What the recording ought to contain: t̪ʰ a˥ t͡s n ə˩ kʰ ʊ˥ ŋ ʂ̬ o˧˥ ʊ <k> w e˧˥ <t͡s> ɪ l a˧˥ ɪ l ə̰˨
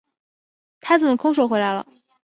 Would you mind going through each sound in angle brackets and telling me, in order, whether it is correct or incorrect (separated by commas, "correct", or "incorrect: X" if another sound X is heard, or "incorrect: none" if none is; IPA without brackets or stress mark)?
incorrect: x, incorrect: none